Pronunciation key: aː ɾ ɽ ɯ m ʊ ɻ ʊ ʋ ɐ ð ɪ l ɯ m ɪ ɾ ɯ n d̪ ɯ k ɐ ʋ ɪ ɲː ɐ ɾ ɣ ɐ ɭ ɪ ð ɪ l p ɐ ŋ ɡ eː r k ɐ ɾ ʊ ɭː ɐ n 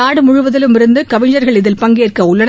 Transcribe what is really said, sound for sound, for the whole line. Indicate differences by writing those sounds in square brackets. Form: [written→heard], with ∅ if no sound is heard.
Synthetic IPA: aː [ɾ→∅] ɽ ɯ m ʊ ɻ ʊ ʋ ɐ ð ɪ l ɯ m ɪ ɾ ɯ n d̪ ɯ k ɐ ʋ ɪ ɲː ɐ ɾ ɣ ɐ ɭ ɪ ð ɪ l p ɐ ŋ ɡ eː r k ɐ [ɾ→∅] ʊ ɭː ɐ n